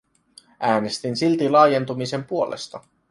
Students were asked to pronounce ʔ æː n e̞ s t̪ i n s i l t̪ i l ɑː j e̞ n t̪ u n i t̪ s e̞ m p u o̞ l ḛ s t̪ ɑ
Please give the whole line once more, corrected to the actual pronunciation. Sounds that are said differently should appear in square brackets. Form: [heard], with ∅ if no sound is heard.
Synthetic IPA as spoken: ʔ æː n e̞ s t̪ i n s i l t̪ i l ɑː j e̞ n t̪ u [m] i [∅] s e̞ m p u o̞ l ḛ s t̪ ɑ